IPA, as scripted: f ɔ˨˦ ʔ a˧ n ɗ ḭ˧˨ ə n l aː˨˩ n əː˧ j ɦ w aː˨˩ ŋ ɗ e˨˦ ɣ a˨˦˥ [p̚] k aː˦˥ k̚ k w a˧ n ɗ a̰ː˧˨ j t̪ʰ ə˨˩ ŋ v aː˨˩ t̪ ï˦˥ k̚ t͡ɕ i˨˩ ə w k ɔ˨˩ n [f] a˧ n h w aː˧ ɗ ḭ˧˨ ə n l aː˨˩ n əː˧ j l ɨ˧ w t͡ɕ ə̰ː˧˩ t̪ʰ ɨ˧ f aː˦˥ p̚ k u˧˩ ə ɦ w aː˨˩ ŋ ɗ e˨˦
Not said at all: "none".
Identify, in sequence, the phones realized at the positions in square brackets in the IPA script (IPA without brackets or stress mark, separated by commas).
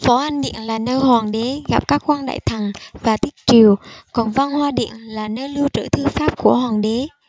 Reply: p̚, v